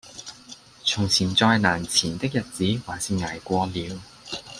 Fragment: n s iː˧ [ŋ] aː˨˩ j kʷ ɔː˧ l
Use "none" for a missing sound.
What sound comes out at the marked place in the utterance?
ŋ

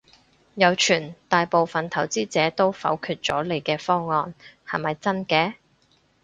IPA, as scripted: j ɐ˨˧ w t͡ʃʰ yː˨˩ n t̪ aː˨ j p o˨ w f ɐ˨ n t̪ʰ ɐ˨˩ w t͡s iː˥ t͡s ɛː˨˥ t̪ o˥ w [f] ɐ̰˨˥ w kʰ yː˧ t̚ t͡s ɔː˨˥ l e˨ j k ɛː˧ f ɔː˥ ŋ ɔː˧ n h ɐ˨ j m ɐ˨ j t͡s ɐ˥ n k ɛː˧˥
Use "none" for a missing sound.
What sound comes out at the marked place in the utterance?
f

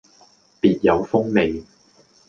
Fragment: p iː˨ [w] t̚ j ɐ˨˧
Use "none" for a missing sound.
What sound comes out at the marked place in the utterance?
none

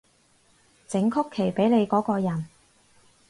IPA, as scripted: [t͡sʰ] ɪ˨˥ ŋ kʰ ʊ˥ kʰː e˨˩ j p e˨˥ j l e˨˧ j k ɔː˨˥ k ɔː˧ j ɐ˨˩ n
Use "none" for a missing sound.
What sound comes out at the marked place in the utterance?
t͡s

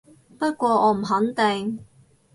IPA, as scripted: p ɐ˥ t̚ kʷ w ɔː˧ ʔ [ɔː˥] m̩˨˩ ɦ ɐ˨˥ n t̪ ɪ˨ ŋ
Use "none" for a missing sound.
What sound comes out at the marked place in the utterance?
ɔː˨˧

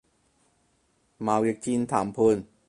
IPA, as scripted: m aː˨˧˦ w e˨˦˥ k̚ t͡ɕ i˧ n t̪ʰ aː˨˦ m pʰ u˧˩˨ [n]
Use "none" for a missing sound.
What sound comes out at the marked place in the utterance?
n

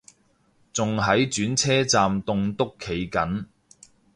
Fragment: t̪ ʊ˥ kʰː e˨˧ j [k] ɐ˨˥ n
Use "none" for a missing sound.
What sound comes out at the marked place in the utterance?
k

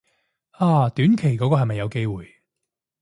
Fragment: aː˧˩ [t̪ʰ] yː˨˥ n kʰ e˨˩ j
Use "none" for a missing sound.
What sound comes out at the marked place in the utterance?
t̪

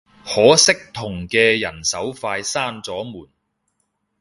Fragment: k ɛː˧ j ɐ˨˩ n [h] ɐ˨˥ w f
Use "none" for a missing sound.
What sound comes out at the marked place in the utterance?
s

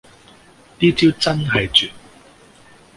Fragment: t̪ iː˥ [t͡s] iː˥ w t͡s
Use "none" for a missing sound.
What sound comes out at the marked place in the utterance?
t͡s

